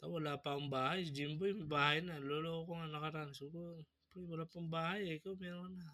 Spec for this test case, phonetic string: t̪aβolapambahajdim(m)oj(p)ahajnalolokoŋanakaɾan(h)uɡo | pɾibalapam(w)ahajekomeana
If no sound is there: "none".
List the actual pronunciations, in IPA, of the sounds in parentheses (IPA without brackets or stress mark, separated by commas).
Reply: b, b, s, b